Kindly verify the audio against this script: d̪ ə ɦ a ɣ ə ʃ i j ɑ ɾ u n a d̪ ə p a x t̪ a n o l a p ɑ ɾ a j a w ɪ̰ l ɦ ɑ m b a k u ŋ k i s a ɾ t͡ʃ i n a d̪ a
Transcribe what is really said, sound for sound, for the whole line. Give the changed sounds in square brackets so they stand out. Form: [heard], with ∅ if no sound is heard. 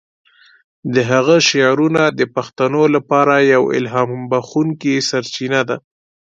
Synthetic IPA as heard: d̪ ə ɦ a ɣ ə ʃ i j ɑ ɾ u n a d̪ ə p a x t̪ a n o l a p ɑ ɾ a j a w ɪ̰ l ɦ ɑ m b a [x] u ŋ k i s a ɾ t͡ʃ i n a d̪ a